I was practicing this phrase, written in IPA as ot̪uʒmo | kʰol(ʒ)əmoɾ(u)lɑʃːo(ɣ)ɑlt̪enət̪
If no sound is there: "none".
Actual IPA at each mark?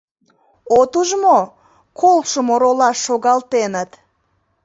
ʃ, o, ɣ

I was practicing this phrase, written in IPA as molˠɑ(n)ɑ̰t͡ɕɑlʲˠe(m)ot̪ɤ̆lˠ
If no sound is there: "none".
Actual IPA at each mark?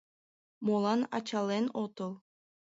n, n

